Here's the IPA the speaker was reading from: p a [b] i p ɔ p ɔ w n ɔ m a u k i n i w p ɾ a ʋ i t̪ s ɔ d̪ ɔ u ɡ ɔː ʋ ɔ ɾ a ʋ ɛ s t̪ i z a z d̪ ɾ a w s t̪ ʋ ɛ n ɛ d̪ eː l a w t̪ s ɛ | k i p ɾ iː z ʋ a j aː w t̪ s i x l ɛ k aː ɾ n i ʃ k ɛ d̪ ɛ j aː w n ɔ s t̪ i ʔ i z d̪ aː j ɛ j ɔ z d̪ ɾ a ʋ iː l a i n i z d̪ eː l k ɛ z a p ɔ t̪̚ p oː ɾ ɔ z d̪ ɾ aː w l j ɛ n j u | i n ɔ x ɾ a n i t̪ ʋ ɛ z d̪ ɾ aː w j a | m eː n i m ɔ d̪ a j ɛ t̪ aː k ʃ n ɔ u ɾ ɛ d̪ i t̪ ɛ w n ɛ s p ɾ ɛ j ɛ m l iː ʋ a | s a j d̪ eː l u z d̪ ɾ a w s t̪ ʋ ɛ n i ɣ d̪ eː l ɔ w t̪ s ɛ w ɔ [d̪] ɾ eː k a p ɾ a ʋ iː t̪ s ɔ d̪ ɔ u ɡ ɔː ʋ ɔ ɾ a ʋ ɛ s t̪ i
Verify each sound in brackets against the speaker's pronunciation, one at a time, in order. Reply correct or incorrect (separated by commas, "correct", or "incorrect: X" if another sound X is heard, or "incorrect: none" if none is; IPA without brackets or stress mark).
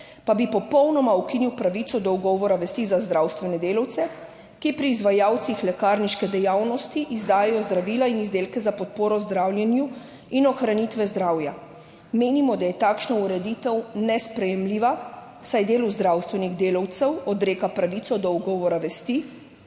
correct, correct